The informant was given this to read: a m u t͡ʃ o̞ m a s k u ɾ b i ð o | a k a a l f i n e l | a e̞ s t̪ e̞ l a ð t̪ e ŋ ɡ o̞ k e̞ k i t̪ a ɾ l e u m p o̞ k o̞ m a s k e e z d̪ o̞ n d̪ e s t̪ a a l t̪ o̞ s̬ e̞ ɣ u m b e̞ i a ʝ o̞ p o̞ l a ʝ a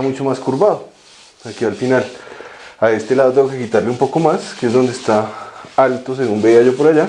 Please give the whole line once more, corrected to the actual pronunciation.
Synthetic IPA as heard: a m u t͡ʃ o̞ m a s k u ɾ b a ð o | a k i a l f i n a l | a e̞ s t̪ e̞ l a ð t̪ e ŋ ɡ o̞ k e̞ k i t̪ a ɾ l e u m p o̞ k o̞ m a s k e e z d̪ o̞ n d̪ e s t̪ a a l t̪ o̞ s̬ e̞ ɣ u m b e̞ i a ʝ o̞ p o̞ ɾ a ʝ a